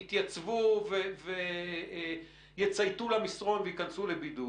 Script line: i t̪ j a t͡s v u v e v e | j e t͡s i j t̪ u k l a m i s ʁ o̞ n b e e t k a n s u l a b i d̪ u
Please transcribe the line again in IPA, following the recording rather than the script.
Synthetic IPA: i t̪ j a t͡s v u v e v e | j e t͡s a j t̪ u l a m i s ʁ o̞ n v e i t k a n s u l e b i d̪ u